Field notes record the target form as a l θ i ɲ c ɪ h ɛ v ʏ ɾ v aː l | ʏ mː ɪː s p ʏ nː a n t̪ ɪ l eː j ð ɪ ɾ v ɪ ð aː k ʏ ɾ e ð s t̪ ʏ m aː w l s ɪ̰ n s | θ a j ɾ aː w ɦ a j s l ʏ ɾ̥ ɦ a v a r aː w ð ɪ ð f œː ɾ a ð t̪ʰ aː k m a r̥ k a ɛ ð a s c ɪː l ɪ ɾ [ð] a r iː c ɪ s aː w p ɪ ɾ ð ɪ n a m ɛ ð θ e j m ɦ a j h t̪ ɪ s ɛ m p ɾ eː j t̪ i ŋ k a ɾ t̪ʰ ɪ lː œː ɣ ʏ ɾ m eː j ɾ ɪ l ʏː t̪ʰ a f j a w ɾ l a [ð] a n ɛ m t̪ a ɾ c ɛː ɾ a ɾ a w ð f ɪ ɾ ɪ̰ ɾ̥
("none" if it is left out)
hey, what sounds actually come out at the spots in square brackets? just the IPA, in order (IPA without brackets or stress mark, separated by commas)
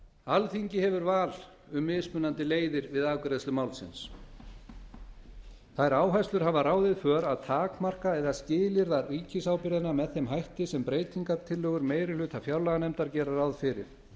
ð, ɣ